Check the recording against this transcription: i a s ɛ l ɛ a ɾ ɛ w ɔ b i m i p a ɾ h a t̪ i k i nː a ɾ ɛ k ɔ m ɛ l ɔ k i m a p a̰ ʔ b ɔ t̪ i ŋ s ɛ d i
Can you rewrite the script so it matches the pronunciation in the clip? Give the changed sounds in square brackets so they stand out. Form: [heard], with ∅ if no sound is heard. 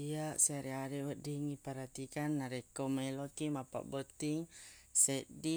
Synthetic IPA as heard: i a s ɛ [ɾ] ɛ a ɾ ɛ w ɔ [d] i [ŋ] i p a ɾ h a t̪ i k [a] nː a ɾ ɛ k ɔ m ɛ l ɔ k i m a p a̰ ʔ b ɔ t̪ i ŋ s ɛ d i

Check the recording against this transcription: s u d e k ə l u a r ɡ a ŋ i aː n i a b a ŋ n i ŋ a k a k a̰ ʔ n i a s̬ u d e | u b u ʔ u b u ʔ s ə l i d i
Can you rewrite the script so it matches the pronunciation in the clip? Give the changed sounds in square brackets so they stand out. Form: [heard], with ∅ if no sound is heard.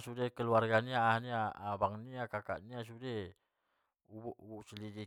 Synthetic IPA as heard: s u d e k ə l u a r ɡ a [n] i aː n i a b a ŋ n i [∅] a k a k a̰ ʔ n i a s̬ u d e | u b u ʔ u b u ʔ s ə l i d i

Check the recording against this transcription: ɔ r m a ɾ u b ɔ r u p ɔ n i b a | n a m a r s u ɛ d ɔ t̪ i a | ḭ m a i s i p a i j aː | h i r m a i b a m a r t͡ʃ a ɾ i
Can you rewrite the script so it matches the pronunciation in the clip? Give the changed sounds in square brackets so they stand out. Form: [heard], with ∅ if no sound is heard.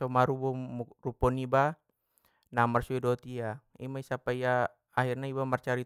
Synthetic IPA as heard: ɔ [∅] m a ɾ u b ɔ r u p ɔ n i b a | n a m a r s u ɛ d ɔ t̪ i a | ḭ m a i s [a] p a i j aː | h i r [n] a i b a m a r t͡ʃ a ɾ i

